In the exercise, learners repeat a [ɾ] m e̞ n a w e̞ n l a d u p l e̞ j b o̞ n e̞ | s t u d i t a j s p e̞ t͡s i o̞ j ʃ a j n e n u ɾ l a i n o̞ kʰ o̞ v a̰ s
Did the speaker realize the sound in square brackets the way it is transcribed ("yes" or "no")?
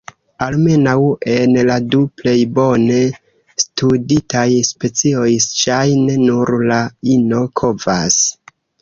no